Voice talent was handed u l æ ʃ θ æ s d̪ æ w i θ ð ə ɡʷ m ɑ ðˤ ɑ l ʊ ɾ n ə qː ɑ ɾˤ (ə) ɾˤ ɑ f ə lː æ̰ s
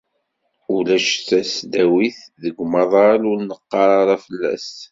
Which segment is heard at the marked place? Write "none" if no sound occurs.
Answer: ɑ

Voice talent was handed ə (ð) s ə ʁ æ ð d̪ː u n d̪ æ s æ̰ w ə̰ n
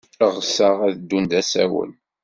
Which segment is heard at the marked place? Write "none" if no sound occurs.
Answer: ʁ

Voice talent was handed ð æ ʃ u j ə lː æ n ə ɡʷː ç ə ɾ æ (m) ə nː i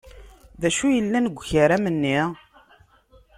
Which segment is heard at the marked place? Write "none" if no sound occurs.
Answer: m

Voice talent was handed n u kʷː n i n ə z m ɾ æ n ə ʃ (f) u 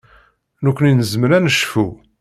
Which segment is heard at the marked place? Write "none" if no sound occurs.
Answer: f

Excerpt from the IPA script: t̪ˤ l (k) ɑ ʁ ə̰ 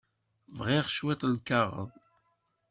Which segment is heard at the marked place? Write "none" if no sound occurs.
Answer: k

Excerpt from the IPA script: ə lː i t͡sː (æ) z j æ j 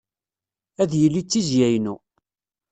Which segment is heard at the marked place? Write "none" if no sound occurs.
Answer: i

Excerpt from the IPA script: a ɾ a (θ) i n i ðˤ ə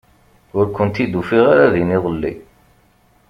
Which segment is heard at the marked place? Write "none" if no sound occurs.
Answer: ð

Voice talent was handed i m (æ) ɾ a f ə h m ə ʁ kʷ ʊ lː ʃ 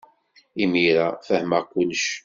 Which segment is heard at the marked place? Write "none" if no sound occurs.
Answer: i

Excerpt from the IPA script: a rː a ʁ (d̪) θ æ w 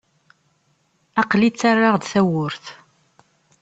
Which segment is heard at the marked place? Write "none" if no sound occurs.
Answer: d̪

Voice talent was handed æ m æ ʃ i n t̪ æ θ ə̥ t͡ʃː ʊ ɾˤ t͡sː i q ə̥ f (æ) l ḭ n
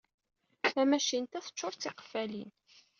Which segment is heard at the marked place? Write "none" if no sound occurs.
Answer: æ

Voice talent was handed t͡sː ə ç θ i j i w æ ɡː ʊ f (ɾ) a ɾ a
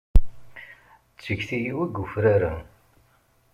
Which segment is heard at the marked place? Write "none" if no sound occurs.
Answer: ɾ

